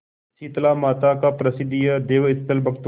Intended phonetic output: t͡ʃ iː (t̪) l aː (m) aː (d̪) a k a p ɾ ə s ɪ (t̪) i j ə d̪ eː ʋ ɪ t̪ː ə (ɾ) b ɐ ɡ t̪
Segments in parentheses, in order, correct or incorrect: correct, correct, incorrect: t̪, incorrect: d̪, incorrect: l

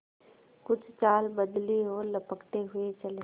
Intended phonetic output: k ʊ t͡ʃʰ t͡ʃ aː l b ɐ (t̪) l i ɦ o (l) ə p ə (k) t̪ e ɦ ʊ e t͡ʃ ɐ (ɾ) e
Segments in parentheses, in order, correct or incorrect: incorrect: d̪, correct, correct, incorrect: l

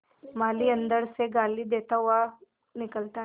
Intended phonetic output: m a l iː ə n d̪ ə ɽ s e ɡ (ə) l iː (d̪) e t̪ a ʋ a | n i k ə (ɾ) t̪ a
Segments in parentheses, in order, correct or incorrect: incorrect: a, correct, incorrect: l

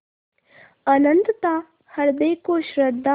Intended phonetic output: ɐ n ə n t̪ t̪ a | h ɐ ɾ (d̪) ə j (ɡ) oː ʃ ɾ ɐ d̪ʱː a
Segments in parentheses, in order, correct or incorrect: correct, incorrect: k

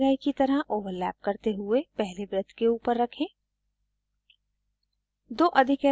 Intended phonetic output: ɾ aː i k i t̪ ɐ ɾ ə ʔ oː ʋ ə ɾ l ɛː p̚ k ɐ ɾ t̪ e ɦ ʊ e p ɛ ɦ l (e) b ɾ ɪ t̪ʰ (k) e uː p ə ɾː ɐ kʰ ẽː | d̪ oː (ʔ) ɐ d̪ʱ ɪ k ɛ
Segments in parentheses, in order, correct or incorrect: correct, correct, correct

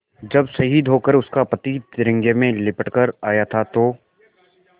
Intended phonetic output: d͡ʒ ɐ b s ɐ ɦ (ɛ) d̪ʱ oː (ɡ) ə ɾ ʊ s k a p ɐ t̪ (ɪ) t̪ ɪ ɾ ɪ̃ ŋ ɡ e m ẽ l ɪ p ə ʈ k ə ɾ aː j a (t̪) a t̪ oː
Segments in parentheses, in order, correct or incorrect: incorrect: i, incorrect: k, incorrect: i, incorrect: t̪ʰ

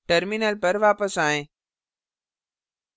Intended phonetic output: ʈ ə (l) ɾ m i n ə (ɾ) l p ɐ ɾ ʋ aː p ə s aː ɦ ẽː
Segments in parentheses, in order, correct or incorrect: incorrect: none, incorrect: none

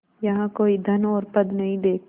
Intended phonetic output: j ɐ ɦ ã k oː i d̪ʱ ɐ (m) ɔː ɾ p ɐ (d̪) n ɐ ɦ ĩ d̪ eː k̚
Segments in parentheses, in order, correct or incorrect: incorrect: n, correct

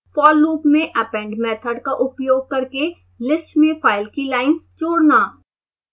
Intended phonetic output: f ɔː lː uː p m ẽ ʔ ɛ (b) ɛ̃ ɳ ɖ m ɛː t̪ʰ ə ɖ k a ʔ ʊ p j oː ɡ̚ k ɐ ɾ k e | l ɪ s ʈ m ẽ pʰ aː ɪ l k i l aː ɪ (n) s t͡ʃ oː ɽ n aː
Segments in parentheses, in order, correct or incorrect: incorrect: p, correct

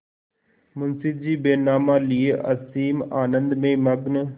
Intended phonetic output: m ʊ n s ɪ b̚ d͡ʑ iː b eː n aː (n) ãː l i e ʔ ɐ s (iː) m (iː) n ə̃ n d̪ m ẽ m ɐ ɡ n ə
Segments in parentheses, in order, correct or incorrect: incorrect: m, correct, incorrect: aː

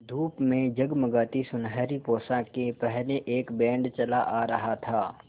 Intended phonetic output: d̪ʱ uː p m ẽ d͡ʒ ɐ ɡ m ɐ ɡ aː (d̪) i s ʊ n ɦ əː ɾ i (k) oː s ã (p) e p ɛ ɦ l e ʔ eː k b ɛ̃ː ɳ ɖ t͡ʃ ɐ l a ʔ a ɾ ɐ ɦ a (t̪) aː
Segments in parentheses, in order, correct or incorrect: incorrect: t̪, incorrect: p, incorrect: k, incorrect: t̪ʰ

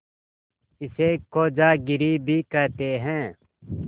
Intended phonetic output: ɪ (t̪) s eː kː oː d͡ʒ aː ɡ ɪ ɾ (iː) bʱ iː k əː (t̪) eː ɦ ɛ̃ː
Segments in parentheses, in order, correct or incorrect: incorrect: none, correct, correct

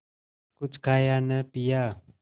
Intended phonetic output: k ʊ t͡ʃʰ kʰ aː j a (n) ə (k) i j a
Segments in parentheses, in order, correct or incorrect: correct, incorrect: p

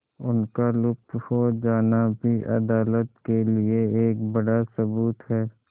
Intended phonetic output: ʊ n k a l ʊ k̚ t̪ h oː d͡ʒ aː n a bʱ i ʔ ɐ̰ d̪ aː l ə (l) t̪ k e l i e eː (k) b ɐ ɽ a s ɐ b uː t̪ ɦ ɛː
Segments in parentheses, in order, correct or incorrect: incorrect: none, correct

